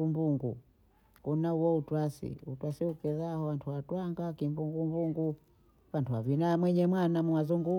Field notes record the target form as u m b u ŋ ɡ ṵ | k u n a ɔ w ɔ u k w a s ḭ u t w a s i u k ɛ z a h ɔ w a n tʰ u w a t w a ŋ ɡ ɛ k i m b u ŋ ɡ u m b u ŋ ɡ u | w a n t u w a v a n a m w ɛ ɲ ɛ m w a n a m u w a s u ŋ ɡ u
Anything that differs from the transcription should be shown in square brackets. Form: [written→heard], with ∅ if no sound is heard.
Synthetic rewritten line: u m b u ŋ ɡ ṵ | k u n a [ɔ→u] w ɔ u [k→t] w a s ḭ u t w a s i u k ɛ z a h ɔ w a n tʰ u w a t w a ŋ ɡ [ɛ→a] k i m b u ŋ ɡ u m b u ŋ ɡ u | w a n t u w a v [a→i] n a m w ɛ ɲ ɛ m w a n a m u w a [s→z] u ŋ ɡ u

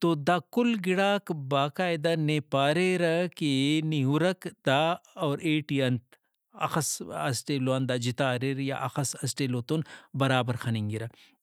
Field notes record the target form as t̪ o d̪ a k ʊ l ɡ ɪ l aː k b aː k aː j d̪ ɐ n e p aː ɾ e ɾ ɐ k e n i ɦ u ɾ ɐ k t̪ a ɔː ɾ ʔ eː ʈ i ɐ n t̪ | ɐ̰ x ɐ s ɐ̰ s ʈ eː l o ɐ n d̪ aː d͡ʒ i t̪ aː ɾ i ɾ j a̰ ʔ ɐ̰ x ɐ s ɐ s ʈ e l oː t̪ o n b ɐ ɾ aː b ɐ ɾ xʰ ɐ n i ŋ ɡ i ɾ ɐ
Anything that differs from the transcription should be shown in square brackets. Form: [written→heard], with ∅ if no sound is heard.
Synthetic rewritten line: t̪ o d̪ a k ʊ l ɡ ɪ [l→ɽ] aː k b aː k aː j d̪ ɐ n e p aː ɾ e ɾ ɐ k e n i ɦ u ɾ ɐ k [t̪→d̪] a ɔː ɾ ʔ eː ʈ i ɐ n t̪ | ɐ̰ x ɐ s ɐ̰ s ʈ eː l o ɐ n d̪ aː d͡ʒ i t̪ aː ɾ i ɾ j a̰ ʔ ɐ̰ x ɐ s ɐ s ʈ e l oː t̪ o n b ɐ ɾ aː b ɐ ɾ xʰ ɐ n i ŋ ɡ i ɾ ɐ

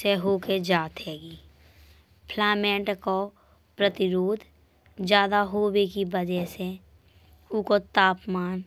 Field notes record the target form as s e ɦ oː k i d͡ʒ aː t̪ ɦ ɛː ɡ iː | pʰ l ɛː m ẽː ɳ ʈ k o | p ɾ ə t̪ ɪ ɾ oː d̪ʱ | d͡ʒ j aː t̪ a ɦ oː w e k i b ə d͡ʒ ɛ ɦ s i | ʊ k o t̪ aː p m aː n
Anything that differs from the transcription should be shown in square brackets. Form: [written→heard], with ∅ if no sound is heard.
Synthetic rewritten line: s e ɦ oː k [i→e] d͡ʒ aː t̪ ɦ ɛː ɡ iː | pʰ l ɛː m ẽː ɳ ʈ k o | p ɾ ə t̪ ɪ ɾ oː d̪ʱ | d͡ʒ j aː [t̪→d̪] a ɦ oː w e k i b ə d͡ʒ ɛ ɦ s [i→e] | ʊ k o t̪ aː p m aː n

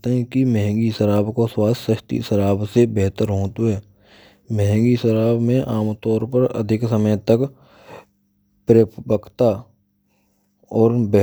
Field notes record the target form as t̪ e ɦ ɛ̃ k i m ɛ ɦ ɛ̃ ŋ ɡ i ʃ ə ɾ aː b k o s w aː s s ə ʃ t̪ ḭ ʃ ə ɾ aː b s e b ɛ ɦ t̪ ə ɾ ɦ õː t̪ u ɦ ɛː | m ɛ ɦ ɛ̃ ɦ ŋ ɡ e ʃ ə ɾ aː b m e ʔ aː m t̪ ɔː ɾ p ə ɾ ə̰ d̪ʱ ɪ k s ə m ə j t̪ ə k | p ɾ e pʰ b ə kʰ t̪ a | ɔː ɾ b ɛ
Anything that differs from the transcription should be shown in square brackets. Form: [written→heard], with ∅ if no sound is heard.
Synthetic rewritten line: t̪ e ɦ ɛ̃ k i m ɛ ɦ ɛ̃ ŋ ɡ i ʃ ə ɾ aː b k o s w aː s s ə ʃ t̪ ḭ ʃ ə ɾ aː b s e b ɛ ɦ t̪ ə ɾ ɦ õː t̪ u ɦ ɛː | m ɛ ɦ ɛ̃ [ɦ→∅] ŋ ɡ [e→i] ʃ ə ɾ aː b m [e→ẽ] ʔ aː m t̪ ɔː ɾ p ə ɾ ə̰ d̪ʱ ɪ k s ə m ə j t̪ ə k | p ɾ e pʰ b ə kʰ t̪ a | ɔː ɾ b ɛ

